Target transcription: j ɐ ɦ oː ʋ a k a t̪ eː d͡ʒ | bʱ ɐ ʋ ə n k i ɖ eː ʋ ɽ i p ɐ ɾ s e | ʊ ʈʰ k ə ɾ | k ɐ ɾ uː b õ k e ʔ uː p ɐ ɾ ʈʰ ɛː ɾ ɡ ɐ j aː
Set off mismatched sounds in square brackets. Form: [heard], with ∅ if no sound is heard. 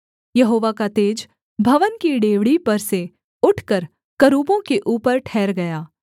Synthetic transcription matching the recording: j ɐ ɦ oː ʋ a k a t̪ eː d͡ʒ | bʱ ɐ ʋ ə n k i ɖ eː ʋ ɽ i p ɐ ɾ s e | ʊ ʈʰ k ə ɾ | k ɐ ɾ uː b õ k e ʔ uː p [ə] ɾ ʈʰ ɛː ɾ ɡ ɐ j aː

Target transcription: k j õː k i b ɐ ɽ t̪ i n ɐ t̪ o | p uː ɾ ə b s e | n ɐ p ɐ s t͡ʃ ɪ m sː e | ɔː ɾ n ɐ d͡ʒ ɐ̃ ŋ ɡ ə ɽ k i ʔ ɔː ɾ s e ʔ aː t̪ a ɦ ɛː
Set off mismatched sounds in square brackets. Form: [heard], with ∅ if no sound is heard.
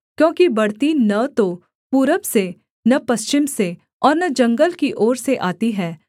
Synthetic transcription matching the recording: k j õː k i b ɐ ɽ t̪ i n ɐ t̪ o | p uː ɾ ə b s e | n ɐ p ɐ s t͡ʃ ɪ m [s] e | ɔː ɾ n ɐ d͡ʒ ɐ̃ ŋ ɡ ə [l] k i ʔ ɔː ɾ s e ʔ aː t̪ [i] ɦ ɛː

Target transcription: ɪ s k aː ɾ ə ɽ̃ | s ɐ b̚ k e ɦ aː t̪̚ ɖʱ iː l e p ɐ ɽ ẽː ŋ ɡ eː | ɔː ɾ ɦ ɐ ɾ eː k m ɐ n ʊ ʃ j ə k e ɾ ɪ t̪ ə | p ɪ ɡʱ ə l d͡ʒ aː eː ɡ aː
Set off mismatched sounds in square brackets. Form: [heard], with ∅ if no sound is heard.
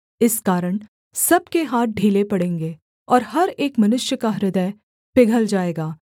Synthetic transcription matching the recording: ɪ s k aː ɾ ə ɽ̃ | s ɐ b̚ k e ɦ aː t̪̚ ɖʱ iː l e p ɐ ɽ ẽː ŋ ɡ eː | ɔː ɾ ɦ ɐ ɾ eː k m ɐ n ʊ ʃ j ə k [a] ɾ ɪ [d̪] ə | p ɪ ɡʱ ə l d͡ʒ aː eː ɡ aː

